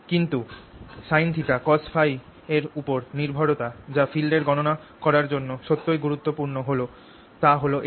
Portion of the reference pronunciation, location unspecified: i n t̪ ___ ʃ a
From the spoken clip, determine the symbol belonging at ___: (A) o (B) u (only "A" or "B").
B